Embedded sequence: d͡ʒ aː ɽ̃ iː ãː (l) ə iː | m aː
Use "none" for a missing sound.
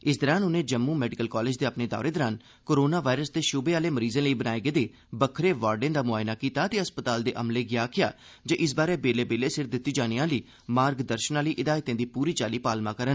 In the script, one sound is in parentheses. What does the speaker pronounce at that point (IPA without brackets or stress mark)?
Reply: l